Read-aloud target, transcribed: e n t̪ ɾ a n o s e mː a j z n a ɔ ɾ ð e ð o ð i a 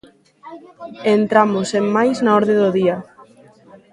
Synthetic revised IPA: e n t̪ ɾ a m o s e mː a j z n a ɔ ɾ ð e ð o ð i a